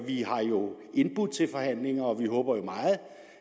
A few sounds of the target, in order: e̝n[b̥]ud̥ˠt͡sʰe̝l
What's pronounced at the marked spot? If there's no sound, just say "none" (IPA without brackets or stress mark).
b̥